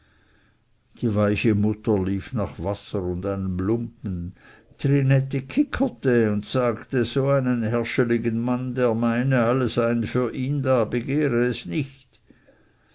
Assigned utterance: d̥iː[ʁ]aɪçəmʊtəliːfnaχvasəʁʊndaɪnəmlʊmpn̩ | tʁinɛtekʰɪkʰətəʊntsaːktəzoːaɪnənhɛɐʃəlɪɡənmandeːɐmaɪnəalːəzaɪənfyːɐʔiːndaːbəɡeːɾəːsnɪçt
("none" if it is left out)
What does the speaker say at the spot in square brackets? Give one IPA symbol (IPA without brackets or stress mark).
v